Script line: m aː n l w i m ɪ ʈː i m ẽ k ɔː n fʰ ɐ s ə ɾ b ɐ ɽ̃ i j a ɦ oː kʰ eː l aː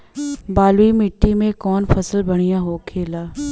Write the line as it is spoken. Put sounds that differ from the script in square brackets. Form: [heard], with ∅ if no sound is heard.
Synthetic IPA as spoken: [b] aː [∅] l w i m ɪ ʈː i m ẽ k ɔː n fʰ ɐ s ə [l] b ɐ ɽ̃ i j a ɦ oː kʰ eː l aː